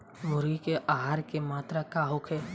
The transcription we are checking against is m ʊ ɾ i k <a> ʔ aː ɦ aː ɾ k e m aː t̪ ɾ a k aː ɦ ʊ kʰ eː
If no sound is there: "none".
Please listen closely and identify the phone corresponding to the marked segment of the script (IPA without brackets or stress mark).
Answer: e